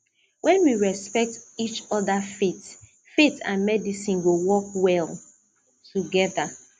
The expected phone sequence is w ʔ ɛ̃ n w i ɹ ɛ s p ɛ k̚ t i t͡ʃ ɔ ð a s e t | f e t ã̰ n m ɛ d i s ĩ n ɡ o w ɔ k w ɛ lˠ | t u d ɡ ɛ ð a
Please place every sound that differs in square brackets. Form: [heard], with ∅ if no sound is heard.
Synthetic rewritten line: w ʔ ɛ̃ n w i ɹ ɛ s p ɛ k̚ t i t͡ʃ ɔ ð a [f] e t | f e t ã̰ n m ɛ d i s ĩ n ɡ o w ɔ k w ɛ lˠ | t u [∅] ɡ ɛ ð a

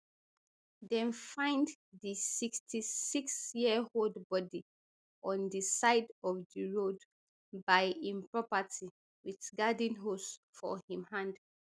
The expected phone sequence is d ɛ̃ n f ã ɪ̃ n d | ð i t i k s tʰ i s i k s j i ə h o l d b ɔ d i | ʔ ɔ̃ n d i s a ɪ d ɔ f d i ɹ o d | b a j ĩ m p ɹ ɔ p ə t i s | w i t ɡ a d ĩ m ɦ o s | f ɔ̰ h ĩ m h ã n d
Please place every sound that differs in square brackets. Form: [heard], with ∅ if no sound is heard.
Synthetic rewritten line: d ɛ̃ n f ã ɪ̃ n d | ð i [s] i k s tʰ i s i k s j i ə h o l d b ɔ d i | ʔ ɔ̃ n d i s a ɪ d ɔ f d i ɹ o d | b a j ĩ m p ɹ ɔ p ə t i [∅] | w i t ɡ a d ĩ [n] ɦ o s | f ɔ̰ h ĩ m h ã n d

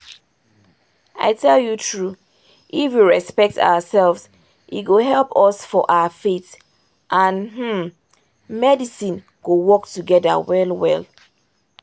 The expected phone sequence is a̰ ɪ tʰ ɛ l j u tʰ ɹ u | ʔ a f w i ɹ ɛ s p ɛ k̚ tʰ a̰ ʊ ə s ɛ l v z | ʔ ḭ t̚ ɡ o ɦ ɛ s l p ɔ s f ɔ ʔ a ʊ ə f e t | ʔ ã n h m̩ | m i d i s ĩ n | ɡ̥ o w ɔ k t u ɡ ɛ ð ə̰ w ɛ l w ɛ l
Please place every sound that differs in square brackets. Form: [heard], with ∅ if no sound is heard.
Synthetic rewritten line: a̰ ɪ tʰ ɛ l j u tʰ ɹ u | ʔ [i] f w i ɹ ɛ s p ɛ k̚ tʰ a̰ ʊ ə s ɛ l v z | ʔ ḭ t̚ ɡ o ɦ ɛ [∅] l p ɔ s f ɔ ʔ a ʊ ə f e t | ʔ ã n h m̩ | m [ɛ] d i s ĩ n | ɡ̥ o w ɔ k t u ɡ ɛ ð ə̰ w ɛ l w ɛ l

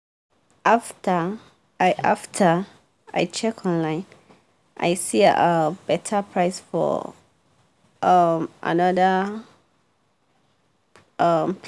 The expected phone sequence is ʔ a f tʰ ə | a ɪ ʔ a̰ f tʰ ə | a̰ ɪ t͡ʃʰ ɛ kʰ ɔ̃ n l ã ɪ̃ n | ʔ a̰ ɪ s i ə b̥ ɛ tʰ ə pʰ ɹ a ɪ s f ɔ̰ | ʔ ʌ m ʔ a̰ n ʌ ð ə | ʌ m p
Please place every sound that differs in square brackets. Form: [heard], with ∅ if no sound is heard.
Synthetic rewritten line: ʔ a f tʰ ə | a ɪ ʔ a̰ f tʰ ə | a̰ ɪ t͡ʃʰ ɛ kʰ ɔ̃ n l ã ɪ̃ n | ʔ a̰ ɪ s i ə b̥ ɛ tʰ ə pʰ ɹ a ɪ s f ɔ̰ | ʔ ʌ m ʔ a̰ n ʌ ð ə | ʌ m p

